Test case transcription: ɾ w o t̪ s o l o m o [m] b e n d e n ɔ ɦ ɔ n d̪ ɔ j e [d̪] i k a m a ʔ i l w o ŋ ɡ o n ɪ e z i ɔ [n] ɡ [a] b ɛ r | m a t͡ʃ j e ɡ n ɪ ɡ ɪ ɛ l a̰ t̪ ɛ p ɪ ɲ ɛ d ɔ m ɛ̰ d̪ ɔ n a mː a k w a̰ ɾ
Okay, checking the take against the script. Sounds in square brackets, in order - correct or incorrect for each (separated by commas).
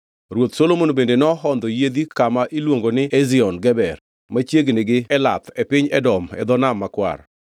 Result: incorrect, correct, correct, incorrect